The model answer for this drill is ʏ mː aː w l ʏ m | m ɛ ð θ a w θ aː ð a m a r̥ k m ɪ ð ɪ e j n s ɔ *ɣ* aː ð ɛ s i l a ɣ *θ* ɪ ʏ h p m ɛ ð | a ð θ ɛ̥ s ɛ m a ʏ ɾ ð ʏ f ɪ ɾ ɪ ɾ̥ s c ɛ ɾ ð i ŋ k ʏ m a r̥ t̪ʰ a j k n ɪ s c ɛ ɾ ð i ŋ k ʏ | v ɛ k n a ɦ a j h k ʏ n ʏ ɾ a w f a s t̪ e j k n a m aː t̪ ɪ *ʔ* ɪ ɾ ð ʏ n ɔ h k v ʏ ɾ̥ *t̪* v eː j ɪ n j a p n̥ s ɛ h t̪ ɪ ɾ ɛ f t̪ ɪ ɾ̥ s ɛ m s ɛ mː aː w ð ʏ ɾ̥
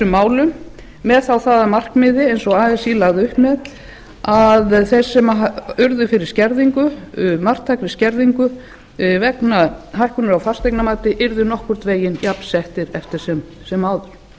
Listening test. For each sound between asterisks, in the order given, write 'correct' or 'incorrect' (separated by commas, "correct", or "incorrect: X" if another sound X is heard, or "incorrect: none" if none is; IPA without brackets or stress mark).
correct, incorrect: ð, correct, correct